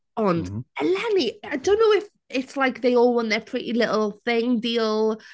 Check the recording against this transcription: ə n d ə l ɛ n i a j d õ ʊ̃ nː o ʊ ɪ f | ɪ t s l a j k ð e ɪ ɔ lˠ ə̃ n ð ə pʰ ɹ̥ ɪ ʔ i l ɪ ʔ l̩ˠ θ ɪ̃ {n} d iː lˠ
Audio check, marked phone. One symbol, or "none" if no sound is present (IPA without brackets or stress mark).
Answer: ŋ